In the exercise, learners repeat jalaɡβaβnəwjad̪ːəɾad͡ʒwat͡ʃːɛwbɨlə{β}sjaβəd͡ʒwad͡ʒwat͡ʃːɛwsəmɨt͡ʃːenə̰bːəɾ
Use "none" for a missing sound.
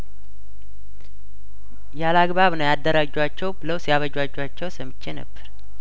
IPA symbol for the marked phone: w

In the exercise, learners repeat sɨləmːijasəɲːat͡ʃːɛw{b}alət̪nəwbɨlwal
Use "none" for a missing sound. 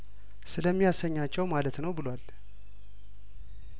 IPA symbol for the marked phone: m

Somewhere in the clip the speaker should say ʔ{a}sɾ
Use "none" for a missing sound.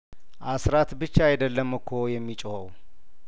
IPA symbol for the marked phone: a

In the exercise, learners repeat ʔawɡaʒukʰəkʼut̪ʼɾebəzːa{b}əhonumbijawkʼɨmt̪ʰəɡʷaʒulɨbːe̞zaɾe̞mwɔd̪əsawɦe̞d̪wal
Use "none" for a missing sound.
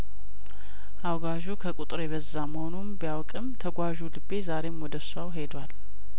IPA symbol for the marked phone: m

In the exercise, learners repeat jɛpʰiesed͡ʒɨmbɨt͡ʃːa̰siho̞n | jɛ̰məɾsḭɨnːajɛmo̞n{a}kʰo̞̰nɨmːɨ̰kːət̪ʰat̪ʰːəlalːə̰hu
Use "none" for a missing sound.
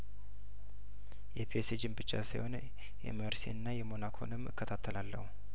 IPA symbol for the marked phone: a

